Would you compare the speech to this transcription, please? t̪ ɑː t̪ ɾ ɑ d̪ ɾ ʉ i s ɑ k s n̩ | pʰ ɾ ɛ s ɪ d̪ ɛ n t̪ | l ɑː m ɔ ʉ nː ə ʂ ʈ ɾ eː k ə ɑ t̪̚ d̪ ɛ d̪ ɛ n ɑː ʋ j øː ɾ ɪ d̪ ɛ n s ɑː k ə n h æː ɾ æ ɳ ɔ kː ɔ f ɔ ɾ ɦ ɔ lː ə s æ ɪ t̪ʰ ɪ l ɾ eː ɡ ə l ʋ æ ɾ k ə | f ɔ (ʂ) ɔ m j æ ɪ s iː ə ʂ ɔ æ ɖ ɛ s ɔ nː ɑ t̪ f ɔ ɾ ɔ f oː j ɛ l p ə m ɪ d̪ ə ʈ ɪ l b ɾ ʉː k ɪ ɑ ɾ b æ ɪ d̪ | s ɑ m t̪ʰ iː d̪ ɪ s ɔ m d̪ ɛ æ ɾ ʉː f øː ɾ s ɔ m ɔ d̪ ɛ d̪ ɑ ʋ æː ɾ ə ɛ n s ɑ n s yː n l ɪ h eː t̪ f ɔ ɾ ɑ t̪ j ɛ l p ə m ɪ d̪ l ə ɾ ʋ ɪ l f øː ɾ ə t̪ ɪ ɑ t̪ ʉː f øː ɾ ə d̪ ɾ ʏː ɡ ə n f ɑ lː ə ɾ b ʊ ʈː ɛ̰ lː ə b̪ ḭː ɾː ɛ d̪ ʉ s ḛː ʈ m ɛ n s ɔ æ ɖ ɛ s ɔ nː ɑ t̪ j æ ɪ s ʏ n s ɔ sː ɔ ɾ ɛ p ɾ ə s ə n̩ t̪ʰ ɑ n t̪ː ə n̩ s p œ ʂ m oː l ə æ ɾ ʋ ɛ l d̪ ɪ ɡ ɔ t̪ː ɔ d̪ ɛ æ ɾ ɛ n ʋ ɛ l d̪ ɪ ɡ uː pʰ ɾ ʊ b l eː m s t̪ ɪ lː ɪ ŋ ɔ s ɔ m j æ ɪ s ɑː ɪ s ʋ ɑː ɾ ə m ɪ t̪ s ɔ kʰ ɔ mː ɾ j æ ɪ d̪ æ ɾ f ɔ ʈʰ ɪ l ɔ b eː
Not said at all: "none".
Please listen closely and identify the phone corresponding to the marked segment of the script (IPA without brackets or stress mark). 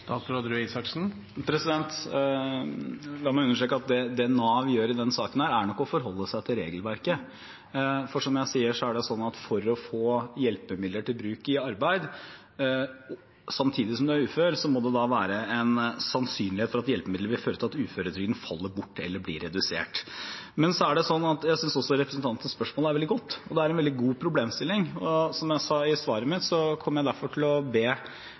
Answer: ʂ